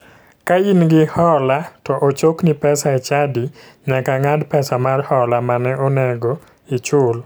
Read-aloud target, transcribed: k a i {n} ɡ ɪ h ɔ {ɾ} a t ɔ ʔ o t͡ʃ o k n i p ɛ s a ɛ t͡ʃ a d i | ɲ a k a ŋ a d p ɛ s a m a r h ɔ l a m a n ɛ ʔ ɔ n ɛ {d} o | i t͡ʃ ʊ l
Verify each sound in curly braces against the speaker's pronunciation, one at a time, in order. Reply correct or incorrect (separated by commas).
correct, incorrect, incorrect